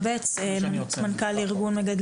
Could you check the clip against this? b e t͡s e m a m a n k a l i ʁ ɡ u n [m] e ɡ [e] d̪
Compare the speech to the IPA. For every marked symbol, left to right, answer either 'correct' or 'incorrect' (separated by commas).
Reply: correct, incorrect